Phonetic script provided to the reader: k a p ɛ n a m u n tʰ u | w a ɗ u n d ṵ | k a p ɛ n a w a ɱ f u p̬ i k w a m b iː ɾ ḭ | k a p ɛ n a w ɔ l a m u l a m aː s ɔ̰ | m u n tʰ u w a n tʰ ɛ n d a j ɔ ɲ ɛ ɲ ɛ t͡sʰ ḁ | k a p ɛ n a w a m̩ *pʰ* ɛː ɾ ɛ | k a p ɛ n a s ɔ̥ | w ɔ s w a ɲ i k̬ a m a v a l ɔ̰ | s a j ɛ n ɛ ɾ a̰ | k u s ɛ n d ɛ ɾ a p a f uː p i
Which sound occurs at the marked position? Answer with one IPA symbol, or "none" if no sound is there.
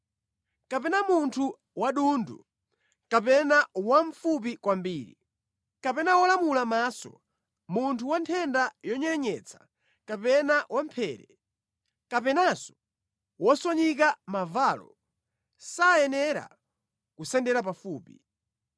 pʰ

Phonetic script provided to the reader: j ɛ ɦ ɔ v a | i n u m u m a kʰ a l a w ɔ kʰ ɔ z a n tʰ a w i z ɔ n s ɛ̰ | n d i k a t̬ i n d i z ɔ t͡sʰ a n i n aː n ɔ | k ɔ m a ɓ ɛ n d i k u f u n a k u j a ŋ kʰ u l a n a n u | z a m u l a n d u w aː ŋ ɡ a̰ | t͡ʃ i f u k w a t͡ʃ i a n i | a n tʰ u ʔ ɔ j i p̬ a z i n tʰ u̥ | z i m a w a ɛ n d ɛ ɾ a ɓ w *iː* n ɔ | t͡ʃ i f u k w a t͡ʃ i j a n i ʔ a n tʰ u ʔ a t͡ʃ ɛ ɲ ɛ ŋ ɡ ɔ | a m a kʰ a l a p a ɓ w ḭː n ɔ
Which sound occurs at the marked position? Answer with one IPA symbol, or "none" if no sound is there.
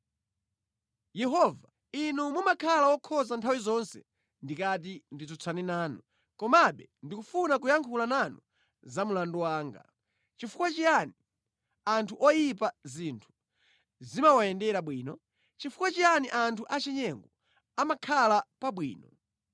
iː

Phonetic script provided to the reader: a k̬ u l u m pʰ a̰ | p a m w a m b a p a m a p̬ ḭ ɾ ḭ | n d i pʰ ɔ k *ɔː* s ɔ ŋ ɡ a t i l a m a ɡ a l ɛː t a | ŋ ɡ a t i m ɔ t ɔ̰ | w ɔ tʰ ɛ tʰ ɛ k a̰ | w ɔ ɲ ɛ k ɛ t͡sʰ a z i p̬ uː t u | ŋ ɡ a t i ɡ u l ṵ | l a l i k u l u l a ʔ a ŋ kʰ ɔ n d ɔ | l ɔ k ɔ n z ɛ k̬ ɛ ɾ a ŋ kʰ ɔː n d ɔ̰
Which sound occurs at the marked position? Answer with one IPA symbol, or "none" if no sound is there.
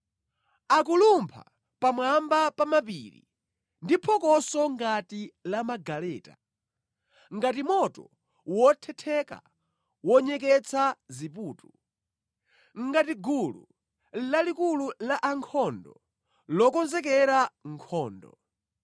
ɔ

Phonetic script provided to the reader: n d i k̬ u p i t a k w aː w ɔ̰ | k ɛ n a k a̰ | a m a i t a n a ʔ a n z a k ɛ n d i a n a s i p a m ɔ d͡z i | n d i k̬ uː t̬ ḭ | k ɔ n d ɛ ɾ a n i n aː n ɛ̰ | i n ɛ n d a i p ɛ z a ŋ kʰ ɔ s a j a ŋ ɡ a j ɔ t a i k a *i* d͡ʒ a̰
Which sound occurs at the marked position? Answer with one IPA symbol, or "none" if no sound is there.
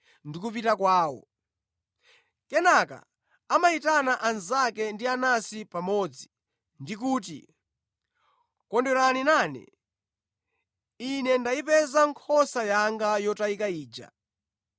iː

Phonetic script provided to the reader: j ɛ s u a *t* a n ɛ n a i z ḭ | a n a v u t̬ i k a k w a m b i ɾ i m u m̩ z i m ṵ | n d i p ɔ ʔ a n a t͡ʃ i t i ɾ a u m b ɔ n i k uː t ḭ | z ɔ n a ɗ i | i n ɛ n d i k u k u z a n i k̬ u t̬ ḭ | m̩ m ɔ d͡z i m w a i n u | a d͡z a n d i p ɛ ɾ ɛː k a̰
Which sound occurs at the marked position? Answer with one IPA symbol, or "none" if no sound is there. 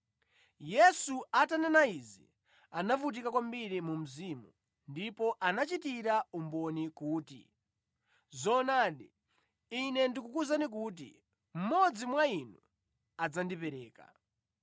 t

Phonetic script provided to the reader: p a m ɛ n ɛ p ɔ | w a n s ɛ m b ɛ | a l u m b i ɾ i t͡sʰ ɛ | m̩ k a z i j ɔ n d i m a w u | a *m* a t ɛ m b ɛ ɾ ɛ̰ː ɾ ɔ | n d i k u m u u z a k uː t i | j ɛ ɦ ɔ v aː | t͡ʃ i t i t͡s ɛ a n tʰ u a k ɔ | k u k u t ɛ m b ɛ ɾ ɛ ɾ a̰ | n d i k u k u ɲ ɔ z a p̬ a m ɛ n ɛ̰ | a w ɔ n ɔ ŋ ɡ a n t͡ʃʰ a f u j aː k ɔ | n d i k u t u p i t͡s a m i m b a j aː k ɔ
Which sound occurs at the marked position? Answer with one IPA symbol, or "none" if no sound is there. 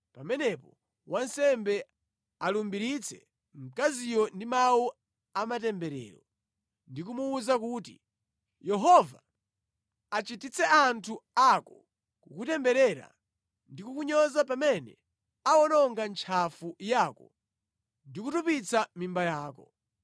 m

